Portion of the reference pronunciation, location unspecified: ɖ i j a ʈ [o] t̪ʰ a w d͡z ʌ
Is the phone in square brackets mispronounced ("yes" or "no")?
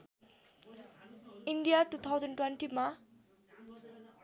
yes